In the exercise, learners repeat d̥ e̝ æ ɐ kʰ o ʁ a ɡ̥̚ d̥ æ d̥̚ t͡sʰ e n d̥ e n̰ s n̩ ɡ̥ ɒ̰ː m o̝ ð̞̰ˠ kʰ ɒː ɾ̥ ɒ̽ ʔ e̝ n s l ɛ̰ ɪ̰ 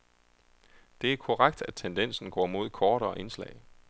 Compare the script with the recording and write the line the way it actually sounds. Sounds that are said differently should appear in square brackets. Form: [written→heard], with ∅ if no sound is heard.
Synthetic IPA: d̥ e̝ æ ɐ kʰ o ʁ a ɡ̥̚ d̥ æ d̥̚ t͡sʰ e n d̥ e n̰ s n̩ ɡ̥ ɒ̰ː m o̝ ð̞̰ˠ kʰ ɒː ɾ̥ ɒ̽ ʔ e̝ n s l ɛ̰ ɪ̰